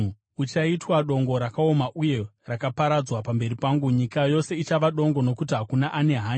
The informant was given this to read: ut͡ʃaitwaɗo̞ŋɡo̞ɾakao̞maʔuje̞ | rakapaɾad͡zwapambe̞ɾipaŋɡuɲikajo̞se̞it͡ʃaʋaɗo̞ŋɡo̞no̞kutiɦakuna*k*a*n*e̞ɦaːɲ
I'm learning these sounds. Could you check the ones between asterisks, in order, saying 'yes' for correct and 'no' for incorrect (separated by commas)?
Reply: no, yes